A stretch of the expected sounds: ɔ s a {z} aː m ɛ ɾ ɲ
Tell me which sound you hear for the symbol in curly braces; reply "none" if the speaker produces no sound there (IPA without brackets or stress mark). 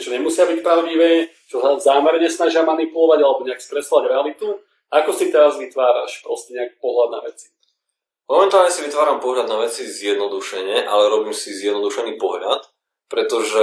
z